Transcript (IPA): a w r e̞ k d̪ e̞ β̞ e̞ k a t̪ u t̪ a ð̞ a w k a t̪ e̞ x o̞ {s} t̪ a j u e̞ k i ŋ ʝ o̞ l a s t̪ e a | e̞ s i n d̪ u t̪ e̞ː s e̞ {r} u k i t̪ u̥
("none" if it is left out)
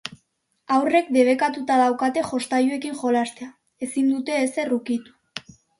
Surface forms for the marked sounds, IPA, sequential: s, r

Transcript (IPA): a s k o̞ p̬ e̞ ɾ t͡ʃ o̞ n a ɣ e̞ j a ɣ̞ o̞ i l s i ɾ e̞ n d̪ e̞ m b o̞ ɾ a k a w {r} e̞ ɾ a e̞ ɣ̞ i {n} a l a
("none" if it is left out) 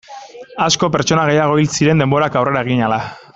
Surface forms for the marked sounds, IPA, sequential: r, ɲ

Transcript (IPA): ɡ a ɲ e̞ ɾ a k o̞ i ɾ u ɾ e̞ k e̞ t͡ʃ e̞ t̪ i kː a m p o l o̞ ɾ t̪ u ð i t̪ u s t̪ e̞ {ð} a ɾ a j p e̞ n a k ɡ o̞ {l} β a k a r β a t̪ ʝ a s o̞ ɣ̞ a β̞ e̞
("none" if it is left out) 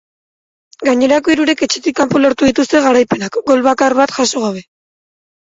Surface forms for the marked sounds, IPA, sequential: ɣ, l

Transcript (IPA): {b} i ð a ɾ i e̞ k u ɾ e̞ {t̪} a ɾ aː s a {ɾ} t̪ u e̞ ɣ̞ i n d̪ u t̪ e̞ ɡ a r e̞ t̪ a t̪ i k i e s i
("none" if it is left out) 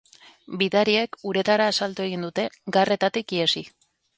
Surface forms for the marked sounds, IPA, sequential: b, t̪, l

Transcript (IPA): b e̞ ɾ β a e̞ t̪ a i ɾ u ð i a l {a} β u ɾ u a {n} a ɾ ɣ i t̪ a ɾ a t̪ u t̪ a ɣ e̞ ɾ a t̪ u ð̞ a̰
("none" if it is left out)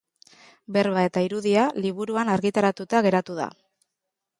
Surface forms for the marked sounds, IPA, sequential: i, n

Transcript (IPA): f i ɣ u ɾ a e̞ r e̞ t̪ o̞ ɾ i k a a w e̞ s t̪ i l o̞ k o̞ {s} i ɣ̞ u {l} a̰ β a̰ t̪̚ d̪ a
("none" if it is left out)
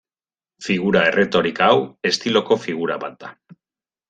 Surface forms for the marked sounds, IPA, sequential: f, ɾ

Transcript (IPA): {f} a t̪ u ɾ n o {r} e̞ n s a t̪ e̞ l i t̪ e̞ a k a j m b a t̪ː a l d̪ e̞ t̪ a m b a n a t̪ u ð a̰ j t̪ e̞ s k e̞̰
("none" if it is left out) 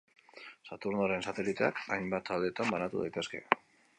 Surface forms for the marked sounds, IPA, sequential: s, ɾ

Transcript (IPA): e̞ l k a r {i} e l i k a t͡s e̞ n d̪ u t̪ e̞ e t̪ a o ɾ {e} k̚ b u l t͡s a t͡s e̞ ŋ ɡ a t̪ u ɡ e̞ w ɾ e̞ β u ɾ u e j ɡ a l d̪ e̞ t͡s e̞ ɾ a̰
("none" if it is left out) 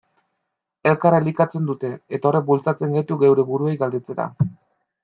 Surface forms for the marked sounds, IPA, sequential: a, e

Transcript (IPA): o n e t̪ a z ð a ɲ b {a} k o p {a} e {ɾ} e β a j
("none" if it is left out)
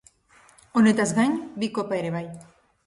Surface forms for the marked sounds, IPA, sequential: i, a, ɾ

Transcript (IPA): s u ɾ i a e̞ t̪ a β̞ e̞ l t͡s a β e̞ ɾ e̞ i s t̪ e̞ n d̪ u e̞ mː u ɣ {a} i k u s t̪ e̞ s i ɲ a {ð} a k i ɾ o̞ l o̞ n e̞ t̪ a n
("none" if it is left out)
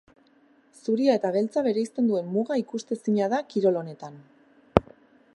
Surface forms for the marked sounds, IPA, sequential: a, ð

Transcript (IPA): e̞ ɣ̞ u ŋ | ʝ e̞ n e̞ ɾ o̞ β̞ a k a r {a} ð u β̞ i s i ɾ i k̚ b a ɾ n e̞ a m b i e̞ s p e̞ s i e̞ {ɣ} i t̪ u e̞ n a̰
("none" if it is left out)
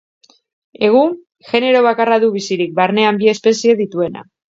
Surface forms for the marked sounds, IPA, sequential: a, ð

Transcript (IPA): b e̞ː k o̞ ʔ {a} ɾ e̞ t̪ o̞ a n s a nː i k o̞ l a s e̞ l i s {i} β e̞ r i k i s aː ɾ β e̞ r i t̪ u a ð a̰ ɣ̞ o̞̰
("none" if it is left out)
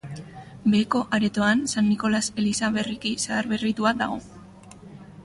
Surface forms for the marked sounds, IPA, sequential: a, a

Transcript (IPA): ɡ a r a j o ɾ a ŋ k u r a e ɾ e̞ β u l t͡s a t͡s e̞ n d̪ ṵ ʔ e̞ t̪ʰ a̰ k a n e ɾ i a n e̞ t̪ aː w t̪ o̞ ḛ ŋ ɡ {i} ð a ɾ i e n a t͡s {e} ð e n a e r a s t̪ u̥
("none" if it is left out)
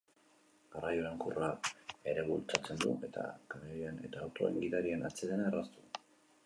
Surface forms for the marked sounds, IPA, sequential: i, e

